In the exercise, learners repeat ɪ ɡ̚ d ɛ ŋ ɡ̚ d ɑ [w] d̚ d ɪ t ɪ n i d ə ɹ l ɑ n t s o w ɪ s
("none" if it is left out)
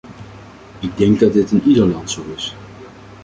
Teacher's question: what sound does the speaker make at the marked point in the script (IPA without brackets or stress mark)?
none